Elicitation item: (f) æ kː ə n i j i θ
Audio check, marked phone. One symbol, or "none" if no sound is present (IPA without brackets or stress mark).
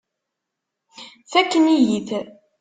θ